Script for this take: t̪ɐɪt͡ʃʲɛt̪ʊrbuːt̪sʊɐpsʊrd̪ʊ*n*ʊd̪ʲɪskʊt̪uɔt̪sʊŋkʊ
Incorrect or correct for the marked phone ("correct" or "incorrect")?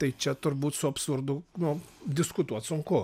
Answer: correct